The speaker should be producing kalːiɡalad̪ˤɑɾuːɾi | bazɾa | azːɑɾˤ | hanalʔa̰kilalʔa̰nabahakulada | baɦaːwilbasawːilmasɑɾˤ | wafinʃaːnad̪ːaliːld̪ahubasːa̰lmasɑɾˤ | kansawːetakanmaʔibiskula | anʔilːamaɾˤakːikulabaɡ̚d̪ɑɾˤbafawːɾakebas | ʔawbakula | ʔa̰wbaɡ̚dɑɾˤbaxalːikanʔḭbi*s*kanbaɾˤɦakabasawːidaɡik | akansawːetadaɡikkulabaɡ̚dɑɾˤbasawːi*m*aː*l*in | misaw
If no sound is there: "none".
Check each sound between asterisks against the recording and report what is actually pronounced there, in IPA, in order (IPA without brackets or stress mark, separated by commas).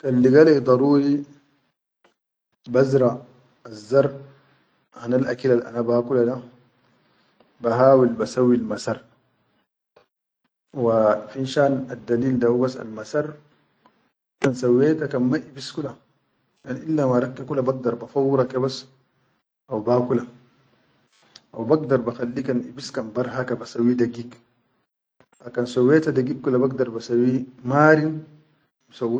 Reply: s, m, ɾ